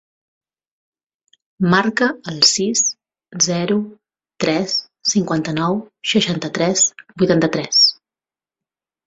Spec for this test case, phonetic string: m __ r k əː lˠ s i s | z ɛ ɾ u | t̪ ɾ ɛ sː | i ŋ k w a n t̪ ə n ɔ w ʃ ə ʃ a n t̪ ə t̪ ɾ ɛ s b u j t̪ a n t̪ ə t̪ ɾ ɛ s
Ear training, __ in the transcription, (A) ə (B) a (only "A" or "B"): B